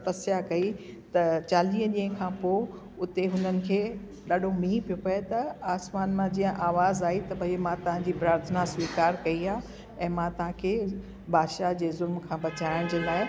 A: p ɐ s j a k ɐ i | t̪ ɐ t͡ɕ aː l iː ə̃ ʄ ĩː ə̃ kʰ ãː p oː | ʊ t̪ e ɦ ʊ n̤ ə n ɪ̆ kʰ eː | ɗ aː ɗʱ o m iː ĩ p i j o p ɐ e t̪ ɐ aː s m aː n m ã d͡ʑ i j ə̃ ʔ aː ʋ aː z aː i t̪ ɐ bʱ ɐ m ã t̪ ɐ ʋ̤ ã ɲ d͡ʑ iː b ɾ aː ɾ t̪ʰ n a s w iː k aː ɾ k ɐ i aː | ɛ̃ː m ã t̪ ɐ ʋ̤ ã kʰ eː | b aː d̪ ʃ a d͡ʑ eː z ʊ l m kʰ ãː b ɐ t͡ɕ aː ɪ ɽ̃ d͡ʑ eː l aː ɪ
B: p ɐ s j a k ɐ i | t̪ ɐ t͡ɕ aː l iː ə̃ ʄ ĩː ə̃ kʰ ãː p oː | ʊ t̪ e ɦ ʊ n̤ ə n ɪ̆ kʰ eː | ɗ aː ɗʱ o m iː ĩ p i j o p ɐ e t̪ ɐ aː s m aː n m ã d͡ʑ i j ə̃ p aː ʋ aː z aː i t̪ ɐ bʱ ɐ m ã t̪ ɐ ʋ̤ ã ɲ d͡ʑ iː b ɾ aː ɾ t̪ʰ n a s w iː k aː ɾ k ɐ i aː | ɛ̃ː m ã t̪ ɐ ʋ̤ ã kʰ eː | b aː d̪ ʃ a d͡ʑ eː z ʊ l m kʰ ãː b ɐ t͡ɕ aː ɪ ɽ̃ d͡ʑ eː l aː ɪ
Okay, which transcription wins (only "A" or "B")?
A